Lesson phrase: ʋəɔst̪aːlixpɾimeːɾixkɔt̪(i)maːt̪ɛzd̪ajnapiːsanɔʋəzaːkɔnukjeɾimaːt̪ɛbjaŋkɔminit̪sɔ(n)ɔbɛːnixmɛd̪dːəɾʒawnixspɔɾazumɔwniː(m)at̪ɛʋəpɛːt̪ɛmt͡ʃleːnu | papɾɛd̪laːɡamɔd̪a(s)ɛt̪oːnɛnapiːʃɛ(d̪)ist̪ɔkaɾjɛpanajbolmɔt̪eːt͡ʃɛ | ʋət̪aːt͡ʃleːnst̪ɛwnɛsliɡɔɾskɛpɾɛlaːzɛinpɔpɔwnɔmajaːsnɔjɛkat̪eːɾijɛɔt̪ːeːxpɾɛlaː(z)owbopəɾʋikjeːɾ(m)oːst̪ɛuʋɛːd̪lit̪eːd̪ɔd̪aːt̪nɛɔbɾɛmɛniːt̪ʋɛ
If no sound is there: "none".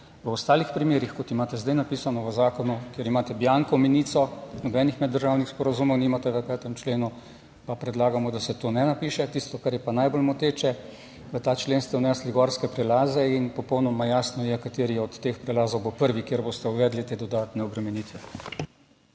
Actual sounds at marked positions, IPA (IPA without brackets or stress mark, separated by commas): i, n, m, s, t̪, z, b